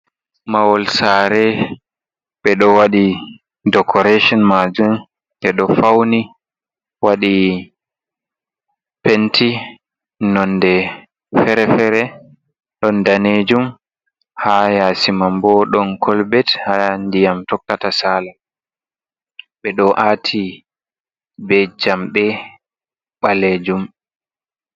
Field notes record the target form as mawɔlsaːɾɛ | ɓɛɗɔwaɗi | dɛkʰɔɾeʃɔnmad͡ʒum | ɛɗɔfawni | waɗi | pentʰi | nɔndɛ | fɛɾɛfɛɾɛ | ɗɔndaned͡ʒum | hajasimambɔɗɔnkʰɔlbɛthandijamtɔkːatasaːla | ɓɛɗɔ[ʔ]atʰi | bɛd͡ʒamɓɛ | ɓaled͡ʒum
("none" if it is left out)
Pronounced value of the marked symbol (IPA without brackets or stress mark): ʔ